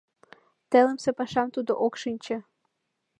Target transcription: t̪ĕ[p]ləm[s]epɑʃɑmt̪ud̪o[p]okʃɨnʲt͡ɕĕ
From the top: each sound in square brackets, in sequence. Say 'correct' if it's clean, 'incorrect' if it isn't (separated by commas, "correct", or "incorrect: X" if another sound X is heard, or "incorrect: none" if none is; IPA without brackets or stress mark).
incorrect: none, correct, incorrect: ʔ